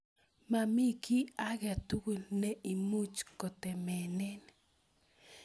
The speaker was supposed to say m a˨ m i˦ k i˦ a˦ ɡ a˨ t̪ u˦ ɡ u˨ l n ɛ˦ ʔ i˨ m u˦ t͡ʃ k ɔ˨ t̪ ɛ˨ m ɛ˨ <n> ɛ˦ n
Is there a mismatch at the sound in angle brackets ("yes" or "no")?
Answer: no